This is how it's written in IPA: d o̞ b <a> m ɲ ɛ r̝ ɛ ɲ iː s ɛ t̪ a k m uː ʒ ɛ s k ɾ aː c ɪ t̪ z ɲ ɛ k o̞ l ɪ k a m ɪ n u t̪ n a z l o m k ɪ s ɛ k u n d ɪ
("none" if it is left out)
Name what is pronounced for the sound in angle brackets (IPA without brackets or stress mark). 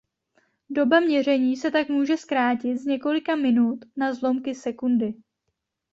a